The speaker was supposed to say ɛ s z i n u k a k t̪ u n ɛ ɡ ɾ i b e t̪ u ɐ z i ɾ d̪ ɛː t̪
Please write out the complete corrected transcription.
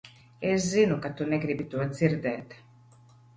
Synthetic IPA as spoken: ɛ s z i n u k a t̪ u n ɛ ɡ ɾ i b i t̪ u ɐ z i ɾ d̪ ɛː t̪